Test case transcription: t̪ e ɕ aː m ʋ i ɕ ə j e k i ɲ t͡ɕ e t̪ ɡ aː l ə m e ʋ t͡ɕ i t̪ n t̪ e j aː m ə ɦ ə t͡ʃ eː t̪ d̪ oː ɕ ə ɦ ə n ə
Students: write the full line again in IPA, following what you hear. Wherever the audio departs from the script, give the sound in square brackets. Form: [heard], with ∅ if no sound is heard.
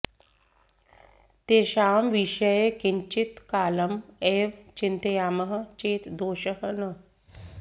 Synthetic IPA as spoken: t̪ e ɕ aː m ʋ i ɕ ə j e k i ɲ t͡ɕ [i] t̪ [k] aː l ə m e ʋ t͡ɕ i [∅] n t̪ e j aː m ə ɦ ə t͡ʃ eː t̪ d̪ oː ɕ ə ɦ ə n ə